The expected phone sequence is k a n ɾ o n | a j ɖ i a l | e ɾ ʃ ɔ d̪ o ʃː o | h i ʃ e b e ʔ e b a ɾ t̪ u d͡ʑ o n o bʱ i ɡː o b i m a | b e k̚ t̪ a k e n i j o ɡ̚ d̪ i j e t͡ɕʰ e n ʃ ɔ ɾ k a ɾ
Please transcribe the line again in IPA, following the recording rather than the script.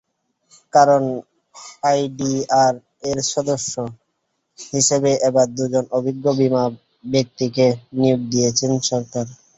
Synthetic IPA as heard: k a ɾ o n | a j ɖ i a ɾ | e ɾ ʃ ɔ d̪ o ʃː o | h i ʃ e b e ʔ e b a ɾ d̪ u d͡ʑ o n o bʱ i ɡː o b i m a | b e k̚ t̪ i k e n i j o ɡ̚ d̪ i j e t͡ɕʰ e n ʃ ɔ ɾ k a ɾ